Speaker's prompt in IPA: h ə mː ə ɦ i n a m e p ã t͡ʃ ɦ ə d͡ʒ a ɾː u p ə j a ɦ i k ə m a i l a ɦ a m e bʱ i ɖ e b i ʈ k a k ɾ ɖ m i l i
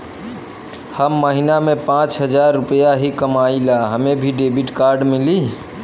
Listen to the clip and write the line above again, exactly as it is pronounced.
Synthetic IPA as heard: h ə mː ə ɦ i n a m e p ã t͡ʃ ɦ ə d͡ʒ a ɾː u p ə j a ɦ i k ə m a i l a ɦ ə m e bʱ i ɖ e b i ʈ k a ɾ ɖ m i l i